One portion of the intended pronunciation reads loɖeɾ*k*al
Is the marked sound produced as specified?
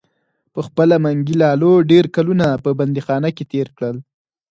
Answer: yes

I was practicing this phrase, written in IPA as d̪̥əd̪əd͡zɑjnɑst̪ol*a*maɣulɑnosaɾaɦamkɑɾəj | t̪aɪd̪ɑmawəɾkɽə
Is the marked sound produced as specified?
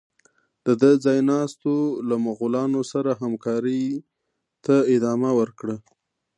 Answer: yes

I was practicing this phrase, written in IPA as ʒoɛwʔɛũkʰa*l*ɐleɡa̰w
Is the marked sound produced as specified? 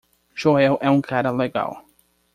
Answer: no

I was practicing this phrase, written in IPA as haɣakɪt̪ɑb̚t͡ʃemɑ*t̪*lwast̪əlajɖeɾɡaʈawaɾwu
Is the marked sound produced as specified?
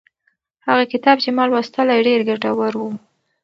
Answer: no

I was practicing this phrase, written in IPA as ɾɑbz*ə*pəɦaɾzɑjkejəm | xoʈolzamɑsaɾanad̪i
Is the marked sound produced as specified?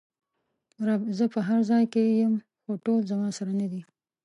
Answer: yes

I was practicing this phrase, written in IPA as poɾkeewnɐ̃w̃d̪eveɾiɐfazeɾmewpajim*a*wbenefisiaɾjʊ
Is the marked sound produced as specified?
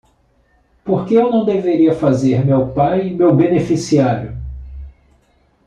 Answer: no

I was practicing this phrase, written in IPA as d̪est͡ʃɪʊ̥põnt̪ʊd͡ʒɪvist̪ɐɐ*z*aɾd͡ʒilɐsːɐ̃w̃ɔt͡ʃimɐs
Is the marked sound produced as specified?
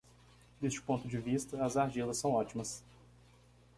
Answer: yes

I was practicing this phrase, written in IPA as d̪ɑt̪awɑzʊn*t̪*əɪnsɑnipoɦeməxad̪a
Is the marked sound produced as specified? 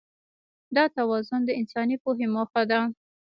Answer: no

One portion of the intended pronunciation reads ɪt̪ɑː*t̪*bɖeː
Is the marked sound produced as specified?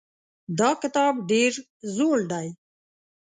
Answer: no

